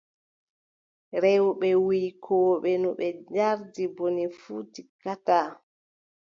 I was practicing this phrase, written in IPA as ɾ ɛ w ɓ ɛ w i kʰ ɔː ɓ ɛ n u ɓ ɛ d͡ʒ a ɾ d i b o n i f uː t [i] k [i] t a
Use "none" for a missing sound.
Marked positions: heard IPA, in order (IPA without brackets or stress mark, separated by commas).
i, a